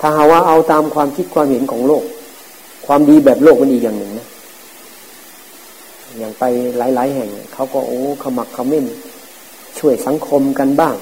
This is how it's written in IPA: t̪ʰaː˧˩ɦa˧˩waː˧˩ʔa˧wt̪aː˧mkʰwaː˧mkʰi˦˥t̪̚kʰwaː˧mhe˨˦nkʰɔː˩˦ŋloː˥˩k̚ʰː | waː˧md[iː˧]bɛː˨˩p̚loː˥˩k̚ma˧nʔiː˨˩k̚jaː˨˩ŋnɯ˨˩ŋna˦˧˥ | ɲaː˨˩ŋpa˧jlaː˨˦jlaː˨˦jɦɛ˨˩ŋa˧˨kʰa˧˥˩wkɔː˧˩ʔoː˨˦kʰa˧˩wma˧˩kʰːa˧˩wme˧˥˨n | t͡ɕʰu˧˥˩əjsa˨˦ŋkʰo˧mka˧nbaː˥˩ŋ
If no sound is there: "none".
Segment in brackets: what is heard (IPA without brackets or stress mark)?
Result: iː˧